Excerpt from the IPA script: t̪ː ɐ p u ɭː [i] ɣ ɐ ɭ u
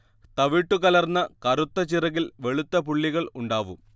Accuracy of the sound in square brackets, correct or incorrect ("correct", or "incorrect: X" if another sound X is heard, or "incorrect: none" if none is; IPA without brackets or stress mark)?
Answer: correct